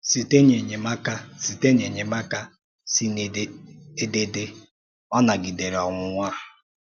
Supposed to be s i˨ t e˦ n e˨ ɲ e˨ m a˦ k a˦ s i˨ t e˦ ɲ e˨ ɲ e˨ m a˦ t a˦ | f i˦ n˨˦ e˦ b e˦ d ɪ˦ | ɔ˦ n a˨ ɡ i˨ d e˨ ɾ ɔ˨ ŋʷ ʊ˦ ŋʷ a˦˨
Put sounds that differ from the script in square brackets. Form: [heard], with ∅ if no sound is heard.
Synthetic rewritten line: s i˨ t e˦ [ɲ] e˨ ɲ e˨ m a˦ k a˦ s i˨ t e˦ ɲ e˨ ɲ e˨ m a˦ [k] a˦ | [s] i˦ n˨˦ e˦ [d] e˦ d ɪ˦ | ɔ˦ n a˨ ɡ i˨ d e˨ ɾ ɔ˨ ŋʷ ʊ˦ ŋʷ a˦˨